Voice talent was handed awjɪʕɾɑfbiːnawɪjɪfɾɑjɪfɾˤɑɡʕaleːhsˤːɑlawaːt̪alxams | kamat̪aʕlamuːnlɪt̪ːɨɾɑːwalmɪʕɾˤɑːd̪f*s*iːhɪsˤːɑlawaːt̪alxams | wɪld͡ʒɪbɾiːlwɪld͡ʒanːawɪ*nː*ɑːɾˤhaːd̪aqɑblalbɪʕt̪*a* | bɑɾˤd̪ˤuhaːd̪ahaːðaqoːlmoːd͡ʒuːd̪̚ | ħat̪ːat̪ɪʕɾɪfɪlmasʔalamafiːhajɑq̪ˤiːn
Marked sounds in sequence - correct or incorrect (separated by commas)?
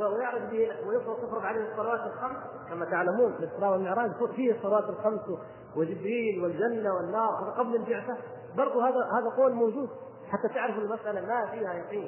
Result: incorrect, correct, correct